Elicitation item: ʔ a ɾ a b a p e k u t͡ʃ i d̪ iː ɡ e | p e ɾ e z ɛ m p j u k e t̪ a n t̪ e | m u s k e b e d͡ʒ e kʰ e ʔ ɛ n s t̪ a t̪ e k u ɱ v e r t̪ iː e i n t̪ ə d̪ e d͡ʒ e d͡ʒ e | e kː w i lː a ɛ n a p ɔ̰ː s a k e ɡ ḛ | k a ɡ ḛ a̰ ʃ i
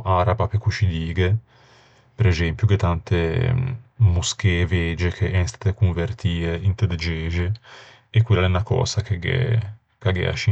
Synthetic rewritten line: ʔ a ɾ a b a p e k u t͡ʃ i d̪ iː ɡ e | p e ɾ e z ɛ m p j u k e t̪ a n t̪ e | m u s k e v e d͡ʒ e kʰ e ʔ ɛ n s t̪ a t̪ e k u ɱ v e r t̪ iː e i n t̪ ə d̪ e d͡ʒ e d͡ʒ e | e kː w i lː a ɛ n a k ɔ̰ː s a k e ɡ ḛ | k a ɡ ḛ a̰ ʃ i